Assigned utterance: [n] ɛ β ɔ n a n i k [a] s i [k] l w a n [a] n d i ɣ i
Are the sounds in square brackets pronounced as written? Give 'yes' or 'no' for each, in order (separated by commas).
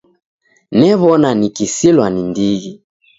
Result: yes, no, no, no